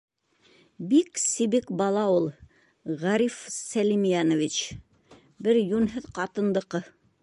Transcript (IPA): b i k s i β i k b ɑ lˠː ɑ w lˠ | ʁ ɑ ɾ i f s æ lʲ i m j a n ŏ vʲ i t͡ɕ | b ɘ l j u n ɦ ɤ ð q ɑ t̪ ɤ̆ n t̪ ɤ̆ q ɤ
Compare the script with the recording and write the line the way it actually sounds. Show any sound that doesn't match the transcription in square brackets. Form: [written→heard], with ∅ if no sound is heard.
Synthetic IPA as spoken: b i k s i β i k b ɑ [lˠː→lˠ] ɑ [w→u] lˠ | ʁ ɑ ɾ i f s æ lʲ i m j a n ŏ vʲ i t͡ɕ | b ɘ [l→ɾ] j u n ɦ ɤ ð q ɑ t̪ ɤ̆ n [t̪→d̪] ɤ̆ q ɤ